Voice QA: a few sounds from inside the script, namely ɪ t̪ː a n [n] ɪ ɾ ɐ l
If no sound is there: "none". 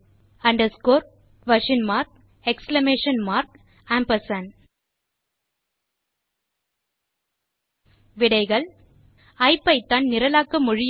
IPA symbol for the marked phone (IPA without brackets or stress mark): n